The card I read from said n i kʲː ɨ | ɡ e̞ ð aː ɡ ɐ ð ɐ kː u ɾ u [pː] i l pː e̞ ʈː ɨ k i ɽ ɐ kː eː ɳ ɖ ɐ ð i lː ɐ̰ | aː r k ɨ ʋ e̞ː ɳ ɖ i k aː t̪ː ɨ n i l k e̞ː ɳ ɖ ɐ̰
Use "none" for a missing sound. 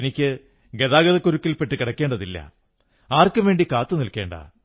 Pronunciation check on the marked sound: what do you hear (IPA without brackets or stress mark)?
kː